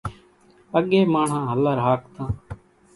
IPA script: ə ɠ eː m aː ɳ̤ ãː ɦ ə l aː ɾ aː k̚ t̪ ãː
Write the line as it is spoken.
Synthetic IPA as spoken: ə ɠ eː m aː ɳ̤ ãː ɦ ə l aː ɾ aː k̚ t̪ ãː

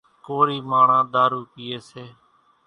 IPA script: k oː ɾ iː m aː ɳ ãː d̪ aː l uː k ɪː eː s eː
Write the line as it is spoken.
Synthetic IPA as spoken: k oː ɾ iː m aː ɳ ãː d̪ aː ɾ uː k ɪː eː s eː

